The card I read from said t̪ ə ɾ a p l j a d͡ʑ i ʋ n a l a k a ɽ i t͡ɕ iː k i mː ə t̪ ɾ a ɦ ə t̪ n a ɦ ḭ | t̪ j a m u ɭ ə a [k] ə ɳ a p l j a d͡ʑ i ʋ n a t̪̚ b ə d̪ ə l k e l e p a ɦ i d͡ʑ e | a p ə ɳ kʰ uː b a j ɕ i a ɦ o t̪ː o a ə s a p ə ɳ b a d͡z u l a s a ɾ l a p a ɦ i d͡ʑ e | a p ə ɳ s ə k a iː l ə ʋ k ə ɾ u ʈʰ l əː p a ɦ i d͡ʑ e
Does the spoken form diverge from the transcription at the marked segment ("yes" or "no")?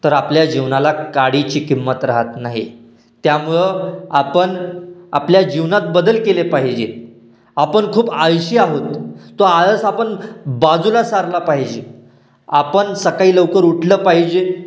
yes